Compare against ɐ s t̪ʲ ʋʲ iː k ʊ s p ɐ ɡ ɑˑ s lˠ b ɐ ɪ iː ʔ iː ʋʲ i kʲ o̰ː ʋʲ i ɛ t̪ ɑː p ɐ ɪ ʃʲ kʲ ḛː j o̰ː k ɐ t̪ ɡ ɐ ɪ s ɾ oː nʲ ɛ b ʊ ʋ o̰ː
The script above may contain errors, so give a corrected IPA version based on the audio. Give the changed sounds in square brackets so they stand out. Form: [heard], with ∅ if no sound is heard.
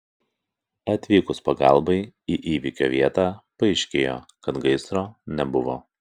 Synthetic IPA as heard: ɐ [∅] t̪ʲ ʋʲ iː k ʊ s p ɐ ɡ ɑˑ [∅] lˠ b ɐ ɪ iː ʔ iː ʋʲ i kʲ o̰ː ʋʲ i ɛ t̪ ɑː p ɐ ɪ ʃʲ kʲ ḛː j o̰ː k ɐ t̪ ɡ ɐ ɪ s ɾ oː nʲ ɛ b ʊ ʋ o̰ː